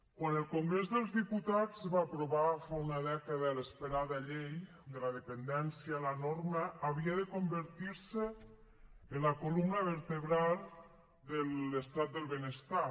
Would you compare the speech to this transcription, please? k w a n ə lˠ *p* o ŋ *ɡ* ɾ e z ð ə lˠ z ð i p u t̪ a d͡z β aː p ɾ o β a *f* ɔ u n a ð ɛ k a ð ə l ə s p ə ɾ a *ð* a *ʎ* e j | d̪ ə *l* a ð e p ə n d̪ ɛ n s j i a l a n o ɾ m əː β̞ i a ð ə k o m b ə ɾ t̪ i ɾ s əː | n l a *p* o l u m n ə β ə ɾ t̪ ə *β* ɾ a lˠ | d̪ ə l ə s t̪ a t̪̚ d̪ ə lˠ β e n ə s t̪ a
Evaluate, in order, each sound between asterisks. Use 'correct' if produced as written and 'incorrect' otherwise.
incorrect: k, correct, correct, correct, correct, correct, incorrect: k, correct

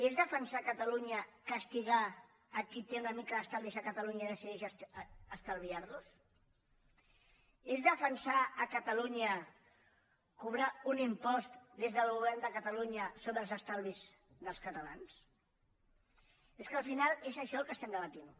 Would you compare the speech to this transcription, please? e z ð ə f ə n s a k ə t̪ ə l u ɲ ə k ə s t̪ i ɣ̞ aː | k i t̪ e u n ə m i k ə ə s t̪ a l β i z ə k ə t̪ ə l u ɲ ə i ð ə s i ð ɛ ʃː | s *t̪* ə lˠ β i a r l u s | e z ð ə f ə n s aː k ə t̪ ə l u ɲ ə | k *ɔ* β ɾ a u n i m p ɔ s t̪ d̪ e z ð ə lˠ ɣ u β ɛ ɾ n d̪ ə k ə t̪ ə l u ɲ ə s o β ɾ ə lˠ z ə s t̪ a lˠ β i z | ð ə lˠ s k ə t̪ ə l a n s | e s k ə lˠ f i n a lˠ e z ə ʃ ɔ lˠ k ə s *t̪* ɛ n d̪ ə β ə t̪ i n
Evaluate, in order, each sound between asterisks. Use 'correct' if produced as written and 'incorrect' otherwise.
correct, incorrect: u, correct

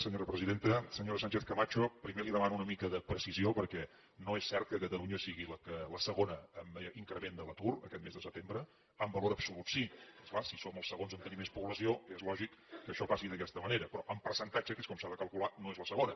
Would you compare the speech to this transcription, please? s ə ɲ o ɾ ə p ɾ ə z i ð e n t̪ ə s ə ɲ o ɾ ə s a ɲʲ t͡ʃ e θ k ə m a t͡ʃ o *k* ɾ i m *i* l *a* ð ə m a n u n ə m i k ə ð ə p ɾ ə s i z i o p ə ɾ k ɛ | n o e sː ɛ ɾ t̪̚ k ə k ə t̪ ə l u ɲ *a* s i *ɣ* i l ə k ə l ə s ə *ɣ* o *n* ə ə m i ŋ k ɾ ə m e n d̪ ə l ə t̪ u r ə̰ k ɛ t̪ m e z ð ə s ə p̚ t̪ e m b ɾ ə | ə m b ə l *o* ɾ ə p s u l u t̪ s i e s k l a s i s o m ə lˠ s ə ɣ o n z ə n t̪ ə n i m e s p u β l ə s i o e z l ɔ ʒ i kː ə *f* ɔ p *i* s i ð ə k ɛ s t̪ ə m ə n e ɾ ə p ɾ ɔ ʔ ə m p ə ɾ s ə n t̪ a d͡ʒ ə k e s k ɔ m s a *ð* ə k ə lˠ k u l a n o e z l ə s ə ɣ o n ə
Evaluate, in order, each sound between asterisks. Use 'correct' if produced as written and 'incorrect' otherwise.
incorrect: p, incorrect: e, incorrect: i, incorrect: ə, correct, correct, correct, correct, incorrect: ʃ, incorrect: a, correct

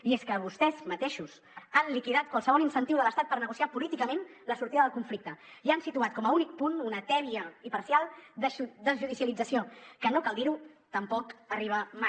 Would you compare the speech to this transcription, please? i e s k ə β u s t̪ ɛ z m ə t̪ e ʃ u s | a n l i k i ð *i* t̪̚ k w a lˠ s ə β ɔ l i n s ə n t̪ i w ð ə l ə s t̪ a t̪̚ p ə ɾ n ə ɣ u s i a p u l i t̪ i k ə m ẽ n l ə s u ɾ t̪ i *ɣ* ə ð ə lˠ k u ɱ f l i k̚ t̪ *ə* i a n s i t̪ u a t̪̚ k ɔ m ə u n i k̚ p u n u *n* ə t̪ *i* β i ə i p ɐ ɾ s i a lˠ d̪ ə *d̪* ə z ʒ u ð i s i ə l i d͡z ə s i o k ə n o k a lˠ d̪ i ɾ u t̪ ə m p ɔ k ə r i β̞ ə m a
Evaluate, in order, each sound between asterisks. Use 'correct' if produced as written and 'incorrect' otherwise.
incorrect: a, incorrect: ð, correct, correct, incorrect: ɛ, correct

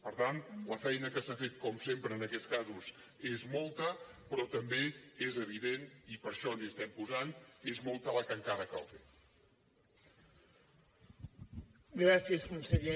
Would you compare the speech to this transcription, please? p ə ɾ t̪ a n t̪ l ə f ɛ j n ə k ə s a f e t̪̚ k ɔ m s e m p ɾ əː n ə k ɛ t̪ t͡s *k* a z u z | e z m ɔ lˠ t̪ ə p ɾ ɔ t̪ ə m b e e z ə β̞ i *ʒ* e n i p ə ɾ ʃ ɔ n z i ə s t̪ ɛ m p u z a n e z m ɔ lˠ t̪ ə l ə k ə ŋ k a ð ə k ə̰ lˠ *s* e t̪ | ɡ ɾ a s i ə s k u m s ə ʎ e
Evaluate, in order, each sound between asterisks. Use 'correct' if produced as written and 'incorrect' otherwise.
correct, incorrect: ð, incorrect: f

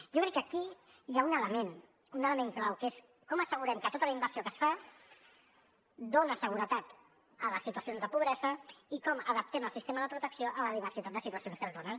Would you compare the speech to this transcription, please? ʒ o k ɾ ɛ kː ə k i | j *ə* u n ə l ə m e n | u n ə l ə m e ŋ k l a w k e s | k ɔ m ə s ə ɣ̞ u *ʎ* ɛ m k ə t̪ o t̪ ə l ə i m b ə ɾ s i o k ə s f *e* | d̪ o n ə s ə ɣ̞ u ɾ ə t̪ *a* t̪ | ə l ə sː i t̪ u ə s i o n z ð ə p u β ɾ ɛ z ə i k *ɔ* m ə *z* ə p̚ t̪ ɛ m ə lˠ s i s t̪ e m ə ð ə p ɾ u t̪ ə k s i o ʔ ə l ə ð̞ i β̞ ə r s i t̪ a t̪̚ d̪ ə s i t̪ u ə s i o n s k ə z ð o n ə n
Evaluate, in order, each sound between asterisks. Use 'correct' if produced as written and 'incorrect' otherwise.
incorrect: a, incorrect: ɾ, incorrect: a, correct, correct, incorrect: ð

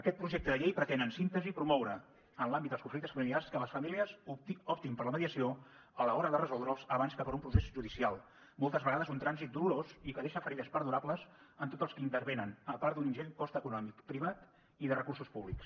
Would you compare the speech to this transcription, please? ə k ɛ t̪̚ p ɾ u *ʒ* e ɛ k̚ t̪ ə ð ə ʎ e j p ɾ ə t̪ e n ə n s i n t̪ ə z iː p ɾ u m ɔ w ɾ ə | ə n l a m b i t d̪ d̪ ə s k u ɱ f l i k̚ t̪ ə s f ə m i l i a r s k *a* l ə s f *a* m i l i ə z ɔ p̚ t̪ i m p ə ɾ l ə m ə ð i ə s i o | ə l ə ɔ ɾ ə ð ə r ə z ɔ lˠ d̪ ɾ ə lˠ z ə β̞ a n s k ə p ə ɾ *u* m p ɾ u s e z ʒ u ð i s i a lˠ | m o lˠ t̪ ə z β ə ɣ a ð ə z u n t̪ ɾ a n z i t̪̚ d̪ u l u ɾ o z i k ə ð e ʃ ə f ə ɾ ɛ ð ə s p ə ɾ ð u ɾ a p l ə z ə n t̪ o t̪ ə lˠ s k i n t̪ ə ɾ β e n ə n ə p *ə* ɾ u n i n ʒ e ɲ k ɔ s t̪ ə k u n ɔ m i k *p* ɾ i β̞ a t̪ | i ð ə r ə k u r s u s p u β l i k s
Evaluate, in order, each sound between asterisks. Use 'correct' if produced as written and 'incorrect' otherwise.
correct, incorrect: ə, incorrect: ə, correct, incorrect: a, correct

